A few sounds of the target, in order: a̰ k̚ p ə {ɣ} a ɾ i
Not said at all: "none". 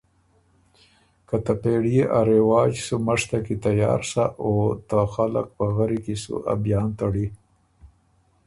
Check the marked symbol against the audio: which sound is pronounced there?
ɣ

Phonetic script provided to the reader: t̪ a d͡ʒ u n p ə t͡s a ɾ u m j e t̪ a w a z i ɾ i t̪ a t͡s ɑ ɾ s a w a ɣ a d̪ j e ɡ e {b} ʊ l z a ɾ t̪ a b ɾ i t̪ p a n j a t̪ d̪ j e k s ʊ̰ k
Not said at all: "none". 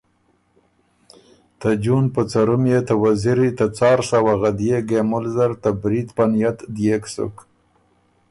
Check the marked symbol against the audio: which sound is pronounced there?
m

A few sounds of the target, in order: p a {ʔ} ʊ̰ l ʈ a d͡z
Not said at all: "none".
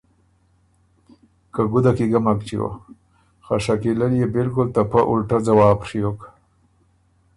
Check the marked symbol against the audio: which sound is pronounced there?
ʔ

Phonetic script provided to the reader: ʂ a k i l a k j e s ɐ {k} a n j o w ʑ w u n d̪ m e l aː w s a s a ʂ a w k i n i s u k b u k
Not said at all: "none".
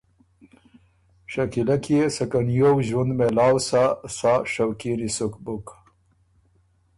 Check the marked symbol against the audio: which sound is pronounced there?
k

